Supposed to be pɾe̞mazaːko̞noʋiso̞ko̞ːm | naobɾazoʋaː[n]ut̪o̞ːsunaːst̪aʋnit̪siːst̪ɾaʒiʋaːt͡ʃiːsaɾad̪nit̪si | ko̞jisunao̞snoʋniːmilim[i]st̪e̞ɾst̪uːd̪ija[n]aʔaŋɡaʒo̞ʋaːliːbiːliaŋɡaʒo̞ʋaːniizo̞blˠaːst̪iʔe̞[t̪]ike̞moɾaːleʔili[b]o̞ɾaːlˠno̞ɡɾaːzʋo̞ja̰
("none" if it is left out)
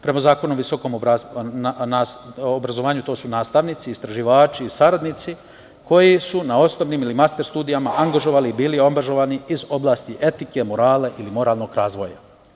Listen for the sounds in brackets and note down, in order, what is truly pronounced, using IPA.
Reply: ɲ, a, m, t̪, m

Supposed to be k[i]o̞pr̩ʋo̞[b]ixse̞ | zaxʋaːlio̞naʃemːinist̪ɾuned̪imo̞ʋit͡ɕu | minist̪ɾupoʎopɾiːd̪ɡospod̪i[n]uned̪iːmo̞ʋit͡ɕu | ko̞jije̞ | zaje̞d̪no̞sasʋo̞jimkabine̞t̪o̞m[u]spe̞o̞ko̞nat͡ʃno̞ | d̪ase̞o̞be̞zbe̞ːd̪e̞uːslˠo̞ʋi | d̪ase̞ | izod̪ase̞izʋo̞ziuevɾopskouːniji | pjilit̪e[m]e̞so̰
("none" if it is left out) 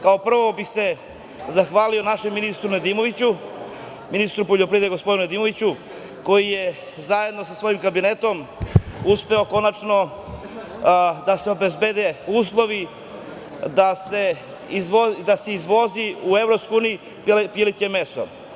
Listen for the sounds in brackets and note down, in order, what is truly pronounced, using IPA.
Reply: a, b, n, u, m

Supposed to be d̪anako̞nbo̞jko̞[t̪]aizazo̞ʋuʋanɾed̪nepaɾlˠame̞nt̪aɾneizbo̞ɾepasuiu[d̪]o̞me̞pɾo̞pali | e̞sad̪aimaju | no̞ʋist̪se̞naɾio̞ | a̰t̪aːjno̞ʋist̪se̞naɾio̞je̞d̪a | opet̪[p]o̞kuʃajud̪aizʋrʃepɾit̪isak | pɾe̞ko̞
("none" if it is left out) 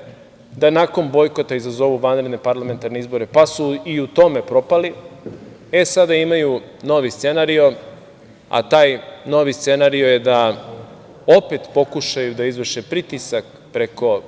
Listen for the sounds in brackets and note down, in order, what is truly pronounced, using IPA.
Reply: t̪, t̪, p

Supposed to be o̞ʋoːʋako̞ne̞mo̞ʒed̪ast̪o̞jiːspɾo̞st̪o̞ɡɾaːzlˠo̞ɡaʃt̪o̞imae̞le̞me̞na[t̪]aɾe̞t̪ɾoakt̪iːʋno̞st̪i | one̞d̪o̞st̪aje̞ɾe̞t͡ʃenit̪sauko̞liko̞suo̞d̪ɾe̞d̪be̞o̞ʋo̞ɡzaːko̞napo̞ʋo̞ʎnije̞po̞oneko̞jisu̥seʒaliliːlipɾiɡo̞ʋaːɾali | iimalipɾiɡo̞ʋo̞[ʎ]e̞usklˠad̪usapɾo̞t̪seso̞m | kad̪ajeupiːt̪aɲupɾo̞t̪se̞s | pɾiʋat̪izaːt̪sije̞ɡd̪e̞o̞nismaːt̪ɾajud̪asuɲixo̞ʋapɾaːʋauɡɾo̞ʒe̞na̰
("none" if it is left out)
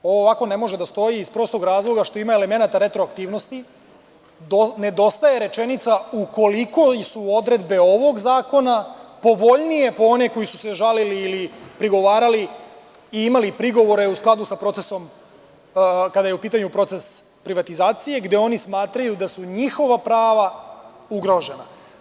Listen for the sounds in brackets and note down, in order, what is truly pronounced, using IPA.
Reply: t̪, ɾ

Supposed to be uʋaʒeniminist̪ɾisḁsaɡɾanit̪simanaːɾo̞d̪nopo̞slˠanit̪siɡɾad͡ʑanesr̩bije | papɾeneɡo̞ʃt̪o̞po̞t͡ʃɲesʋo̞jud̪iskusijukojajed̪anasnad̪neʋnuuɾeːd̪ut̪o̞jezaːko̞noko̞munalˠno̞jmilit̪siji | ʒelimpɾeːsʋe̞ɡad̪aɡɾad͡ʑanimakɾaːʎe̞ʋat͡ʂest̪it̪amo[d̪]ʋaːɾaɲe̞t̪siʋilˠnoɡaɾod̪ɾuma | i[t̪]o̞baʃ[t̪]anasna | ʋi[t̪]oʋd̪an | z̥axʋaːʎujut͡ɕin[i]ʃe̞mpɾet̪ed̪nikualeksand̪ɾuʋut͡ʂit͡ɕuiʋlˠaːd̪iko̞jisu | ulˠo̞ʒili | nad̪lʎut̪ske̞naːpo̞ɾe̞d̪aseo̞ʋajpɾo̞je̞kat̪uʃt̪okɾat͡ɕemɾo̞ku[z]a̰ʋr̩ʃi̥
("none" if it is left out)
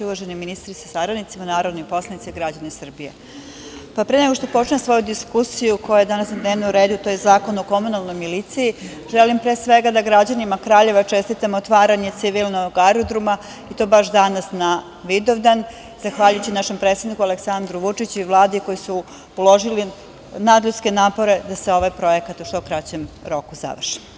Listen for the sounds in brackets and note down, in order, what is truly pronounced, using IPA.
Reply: t̪, t̪, d̪, d̪, a, z

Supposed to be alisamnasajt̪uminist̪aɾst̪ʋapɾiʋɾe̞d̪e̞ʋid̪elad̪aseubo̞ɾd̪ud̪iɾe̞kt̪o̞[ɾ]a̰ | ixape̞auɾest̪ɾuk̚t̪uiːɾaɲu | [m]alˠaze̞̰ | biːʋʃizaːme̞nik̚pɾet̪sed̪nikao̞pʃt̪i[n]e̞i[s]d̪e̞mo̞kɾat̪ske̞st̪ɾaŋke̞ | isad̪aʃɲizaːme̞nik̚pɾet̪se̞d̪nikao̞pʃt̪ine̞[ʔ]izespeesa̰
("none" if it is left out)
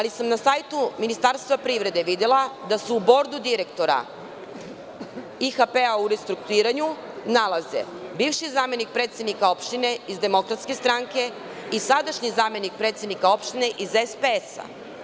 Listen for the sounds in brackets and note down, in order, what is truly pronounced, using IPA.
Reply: ɾ, n, n, z, ʔ

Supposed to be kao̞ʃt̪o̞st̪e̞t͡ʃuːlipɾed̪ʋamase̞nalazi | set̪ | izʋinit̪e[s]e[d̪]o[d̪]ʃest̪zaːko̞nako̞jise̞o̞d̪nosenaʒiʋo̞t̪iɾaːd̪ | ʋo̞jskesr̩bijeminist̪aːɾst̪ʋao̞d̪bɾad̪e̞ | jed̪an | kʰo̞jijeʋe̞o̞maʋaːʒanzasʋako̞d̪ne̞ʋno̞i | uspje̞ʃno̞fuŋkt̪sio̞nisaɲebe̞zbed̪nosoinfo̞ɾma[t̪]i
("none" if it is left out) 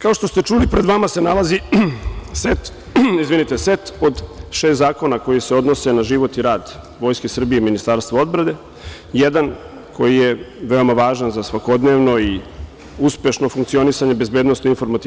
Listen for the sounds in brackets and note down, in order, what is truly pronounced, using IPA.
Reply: s, t̪, d̪, t̪

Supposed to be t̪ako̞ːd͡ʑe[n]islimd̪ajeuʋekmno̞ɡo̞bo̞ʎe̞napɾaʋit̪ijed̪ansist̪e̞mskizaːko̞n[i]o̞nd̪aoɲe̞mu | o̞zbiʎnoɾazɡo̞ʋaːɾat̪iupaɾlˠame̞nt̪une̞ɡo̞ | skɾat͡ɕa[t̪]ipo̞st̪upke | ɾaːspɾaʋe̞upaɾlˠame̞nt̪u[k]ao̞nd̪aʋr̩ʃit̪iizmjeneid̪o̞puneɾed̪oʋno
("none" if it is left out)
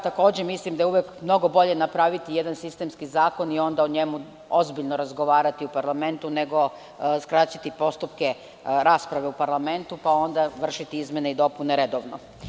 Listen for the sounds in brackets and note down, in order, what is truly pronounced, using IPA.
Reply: m, i, t̪, p

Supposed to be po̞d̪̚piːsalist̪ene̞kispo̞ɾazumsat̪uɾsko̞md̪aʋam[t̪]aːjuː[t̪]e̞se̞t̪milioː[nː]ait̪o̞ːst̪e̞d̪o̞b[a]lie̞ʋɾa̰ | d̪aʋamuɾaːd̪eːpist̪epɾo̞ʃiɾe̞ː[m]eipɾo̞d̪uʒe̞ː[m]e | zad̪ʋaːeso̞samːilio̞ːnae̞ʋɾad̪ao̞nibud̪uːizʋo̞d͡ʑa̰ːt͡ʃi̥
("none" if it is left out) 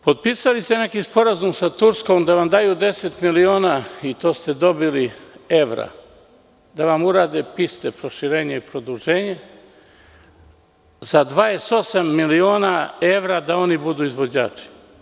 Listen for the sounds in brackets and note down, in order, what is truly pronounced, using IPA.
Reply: d̪, d̪, n, i, ɲ, ɲ

